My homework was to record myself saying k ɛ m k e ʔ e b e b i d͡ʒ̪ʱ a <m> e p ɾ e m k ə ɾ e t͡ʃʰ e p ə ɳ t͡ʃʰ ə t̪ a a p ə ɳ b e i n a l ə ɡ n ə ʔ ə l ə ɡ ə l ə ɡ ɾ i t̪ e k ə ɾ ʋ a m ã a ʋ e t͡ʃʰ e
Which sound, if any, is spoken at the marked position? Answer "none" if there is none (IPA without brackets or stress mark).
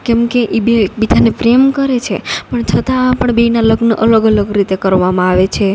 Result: n